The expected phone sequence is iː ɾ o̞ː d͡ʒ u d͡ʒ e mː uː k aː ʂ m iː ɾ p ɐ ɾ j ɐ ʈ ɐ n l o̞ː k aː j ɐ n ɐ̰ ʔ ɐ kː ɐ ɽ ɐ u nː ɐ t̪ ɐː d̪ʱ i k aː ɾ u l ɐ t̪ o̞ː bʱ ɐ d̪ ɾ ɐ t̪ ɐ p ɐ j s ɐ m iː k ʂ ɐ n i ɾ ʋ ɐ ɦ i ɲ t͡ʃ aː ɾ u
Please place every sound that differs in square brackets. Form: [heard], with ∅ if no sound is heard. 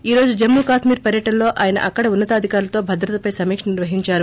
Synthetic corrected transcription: iː ɾ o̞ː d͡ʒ u d͡ʒ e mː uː k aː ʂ m iː ɾ p ɐ ɾ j ɐ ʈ ɐ n l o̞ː [ʔ] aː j ɐ n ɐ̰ ʔ ɐ kː ɐ ɽ ɐ u nː ɐ t̪ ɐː d̪ʱ i k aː ɾ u l ɐ t̪ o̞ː bʱ ɐ d̪ ɾ ɐ t̪ ɐ p ɐ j s ɐ m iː k ʂ ɐ n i ɾ ʋ ɐ ɦ i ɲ t͡ʃ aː ɾ u